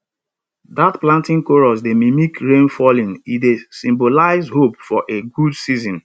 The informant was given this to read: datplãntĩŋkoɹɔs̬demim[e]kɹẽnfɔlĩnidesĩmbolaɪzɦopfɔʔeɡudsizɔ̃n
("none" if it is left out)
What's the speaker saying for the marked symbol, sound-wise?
i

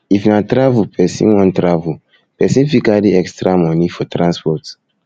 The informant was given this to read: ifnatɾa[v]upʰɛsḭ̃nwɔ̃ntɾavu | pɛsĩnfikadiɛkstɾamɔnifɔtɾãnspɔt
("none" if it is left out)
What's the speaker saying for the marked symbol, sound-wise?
v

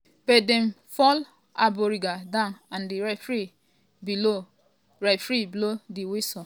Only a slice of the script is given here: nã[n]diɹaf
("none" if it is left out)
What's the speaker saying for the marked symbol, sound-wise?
n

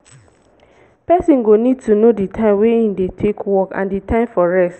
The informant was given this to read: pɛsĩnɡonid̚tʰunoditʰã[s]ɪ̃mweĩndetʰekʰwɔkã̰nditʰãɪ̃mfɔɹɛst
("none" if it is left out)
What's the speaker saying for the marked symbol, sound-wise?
none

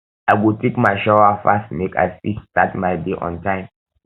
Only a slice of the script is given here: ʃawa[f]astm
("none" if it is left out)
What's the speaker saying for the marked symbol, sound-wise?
f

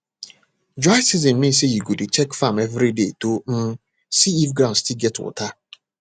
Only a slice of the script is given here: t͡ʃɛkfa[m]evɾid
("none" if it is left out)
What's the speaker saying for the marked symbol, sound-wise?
m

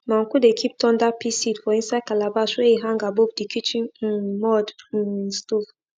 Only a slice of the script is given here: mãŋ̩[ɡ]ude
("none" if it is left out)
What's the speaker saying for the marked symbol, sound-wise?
k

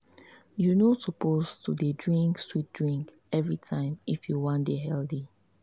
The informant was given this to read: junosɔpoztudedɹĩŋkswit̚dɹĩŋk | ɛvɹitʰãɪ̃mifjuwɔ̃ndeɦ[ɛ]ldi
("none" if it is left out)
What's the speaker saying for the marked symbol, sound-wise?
ɛ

